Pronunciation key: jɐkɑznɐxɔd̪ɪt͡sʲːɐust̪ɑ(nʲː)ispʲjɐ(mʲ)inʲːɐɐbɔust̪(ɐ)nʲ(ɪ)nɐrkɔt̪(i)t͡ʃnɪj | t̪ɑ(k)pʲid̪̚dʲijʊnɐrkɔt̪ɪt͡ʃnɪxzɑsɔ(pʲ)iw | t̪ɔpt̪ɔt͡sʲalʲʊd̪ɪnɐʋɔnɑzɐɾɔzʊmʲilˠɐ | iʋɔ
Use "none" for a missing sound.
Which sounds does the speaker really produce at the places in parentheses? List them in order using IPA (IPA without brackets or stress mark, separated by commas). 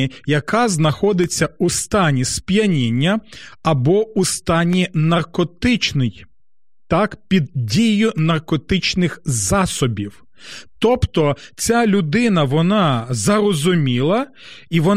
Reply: nʲ, nʲ, ɑ, i, ɪ, k, bʲ